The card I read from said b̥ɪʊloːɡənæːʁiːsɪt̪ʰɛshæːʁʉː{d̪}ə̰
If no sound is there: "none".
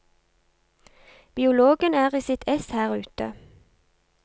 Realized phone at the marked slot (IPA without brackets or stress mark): t̪